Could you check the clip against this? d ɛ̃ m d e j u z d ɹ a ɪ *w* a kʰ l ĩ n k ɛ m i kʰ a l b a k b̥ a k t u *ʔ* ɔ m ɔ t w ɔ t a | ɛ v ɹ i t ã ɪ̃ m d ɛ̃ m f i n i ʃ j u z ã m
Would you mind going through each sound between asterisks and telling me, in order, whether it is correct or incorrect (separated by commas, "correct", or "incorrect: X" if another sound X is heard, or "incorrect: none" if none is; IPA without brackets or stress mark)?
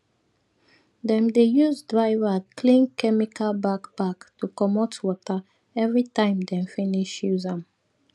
incorrect: v, incorrect: k